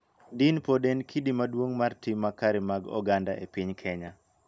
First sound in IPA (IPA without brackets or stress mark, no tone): d